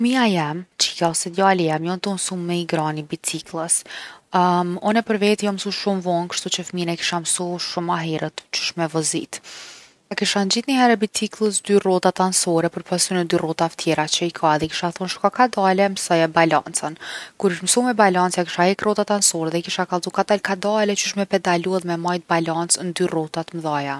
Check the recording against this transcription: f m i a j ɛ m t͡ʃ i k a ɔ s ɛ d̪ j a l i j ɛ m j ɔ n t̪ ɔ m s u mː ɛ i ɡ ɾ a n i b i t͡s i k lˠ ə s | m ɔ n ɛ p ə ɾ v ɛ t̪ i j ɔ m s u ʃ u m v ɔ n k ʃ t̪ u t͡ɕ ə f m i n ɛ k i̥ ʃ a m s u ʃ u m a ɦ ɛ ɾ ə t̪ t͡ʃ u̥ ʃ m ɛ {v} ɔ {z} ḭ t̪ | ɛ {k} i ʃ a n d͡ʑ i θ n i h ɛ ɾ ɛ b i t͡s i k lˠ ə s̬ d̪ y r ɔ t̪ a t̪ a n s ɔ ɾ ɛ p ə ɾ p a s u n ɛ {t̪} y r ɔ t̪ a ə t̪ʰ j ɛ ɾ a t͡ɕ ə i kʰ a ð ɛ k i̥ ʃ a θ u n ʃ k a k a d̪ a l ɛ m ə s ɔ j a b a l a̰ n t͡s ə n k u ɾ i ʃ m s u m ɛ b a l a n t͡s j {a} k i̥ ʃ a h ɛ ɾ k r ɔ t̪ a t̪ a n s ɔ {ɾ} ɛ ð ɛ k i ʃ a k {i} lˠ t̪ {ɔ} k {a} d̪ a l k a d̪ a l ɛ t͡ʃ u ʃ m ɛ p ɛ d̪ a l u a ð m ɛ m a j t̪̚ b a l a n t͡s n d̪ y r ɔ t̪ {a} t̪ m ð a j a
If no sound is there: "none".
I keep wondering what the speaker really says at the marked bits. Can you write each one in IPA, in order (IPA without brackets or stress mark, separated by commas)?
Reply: v, z, k, d̪, a, ɾ, a, u, a, a